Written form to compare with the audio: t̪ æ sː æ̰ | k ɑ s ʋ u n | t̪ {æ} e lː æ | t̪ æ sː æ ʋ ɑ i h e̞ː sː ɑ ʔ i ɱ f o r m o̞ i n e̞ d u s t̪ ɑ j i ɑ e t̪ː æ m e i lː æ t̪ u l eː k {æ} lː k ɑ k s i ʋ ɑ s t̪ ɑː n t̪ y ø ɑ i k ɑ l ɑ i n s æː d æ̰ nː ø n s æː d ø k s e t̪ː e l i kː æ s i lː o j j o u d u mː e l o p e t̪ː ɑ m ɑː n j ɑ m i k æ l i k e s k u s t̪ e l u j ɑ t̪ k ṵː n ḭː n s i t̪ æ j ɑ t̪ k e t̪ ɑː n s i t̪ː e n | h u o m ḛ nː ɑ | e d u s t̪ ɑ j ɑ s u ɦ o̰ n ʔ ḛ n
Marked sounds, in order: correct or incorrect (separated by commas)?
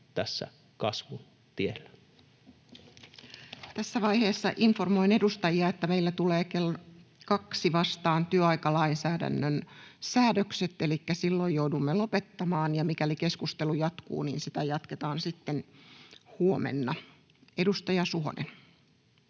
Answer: incorrect, incorrect